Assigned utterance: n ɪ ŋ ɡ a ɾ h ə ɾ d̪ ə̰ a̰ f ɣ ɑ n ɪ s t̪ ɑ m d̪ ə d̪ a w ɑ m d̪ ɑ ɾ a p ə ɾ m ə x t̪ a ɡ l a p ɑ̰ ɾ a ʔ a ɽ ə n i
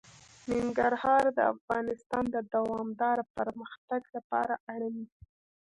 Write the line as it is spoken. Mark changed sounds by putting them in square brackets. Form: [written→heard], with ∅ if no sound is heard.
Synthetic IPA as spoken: n ɪ ŋ ɡ a ɾ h [ə→ɑ] ɾ d̪ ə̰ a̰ f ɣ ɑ n ɪ s t̪ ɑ [m→n] d̪ ə d̪ a w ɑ m d̪ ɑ ɾ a p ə ɾ m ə x t̪ a ɡ l a p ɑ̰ ɾ a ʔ a ɽ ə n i